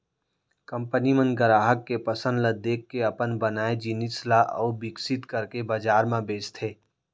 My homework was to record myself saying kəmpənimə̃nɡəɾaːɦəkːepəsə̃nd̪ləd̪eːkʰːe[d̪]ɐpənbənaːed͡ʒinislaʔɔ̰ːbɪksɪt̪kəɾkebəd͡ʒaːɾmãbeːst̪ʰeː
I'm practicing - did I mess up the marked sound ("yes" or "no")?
yes